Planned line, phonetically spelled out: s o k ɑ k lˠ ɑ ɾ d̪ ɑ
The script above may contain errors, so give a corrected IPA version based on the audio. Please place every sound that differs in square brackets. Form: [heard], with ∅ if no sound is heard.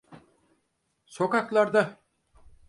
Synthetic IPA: s o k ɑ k lˠ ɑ ɾ d̪ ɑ